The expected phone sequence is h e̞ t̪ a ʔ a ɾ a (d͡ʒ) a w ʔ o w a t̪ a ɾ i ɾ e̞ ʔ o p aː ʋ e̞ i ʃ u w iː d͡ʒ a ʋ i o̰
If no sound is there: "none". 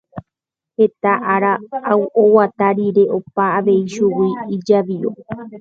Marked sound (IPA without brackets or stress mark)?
none